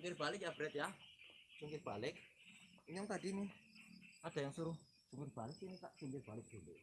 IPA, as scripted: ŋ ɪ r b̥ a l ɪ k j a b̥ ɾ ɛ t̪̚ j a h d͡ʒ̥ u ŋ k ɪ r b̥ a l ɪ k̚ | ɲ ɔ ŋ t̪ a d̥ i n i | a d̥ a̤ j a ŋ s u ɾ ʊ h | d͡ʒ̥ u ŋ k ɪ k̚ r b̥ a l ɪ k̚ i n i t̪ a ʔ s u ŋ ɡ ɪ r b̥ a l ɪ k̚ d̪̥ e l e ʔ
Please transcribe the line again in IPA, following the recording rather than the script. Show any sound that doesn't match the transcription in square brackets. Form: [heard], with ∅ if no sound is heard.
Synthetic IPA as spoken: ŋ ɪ r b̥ a l ɪ k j a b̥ ɾ ɛ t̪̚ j a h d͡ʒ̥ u ŋ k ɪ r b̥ a l ɪ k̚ | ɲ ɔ ŋ t̪ a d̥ i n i | a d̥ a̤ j a ŋ s u ɾ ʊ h | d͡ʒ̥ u ŋ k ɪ [∅] r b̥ a l ɪ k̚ i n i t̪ a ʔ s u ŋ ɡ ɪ r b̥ a l ɪ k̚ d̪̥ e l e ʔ